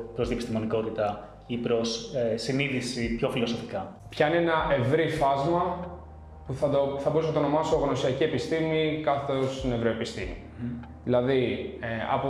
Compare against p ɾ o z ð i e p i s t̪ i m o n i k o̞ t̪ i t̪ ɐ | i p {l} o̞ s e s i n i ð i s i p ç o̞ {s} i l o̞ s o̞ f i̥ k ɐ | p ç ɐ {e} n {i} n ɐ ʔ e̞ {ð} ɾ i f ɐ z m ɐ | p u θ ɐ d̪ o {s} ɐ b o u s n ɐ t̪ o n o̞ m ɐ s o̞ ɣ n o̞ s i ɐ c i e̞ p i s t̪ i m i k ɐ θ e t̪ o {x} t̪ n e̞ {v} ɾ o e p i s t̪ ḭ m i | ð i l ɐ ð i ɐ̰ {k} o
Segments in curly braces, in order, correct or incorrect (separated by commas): incorrect, incorrect, incorrect, incorrect, incorrect, incorrect, incorrect, correct, incorrect